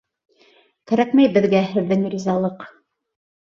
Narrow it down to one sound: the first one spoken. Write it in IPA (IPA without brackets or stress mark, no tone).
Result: k